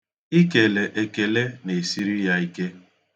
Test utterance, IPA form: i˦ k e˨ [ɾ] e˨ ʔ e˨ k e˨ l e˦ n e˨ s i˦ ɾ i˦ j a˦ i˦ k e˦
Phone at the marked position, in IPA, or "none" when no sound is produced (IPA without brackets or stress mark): l